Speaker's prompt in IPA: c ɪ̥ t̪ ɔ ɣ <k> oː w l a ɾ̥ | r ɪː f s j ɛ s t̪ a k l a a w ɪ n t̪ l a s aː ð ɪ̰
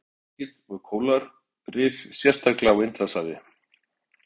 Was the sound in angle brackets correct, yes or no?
no